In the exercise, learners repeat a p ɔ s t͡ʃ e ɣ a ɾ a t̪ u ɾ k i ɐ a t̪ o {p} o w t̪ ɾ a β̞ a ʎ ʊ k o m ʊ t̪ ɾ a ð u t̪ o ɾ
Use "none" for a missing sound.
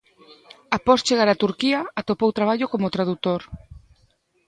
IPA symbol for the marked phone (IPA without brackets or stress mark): p